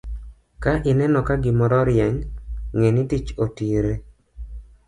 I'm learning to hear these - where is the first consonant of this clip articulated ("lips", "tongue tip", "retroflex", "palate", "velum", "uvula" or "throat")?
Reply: velum